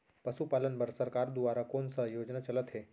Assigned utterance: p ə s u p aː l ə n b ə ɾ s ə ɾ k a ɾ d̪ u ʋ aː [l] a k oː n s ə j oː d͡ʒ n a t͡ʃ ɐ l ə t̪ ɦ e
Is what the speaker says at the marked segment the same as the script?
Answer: no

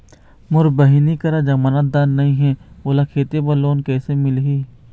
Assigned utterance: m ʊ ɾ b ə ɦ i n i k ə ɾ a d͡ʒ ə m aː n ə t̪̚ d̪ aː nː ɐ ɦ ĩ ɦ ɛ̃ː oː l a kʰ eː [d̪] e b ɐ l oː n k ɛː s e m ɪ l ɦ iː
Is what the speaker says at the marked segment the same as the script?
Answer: no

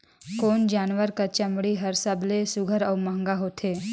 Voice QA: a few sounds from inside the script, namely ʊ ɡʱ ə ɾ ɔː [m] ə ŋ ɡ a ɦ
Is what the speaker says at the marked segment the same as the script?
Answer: yes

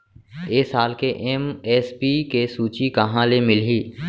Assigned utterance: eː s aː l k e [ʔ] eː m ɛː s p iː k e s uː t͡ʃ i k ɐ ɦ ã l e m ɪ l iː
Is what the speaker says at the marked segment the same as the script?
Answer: yes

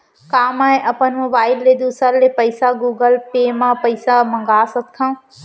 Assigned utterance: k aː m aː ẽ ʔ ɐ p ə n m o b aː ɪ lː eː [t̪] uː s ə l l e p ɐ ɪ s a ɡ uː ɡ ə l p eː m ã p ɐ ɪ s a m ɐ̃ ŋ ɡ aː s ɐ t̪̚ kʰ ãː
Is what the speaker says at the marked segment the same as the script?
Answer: no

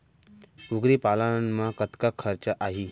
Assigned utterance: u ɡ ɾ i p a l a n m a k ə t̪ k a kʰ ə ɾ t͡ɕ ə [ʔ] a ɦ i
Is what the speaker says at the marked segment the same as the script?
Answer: yes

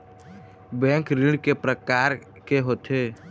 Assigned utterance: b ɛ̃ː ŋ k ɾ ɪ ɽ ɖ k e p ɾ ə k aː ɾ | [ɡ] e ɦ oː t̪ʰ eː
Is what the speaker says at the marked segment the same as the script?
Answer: no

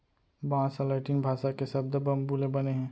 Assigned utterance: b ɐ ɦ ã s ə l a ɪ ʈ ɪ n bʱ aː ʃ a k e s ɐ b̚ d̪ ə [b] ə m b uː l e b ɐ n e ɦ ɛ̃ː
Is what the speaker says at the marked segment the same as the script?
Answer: yes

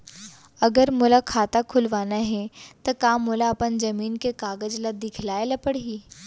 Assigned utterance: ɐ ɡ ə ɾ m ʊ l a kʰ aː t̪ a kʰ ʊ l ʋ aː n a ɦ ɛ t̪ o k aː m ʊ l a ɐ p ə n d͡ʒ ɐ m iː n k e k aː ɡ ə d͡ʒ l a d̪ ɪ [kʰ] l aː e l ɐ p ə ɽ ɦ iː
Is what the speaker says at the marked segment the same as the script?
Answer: yes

